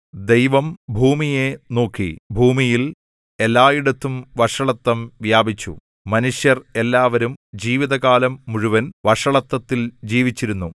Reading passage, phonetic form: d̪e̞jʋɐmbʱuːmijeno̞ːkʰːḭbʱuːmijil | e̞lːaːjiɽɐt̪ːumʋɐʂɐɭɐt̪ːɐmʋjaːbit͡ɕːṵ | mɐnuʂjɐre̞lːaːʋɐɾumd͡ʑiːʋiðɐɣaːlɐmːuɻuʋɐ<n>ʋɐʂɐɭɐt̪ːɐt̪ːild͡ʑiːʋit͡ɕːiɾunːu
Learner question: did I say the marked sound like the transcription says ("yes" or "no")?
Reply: yes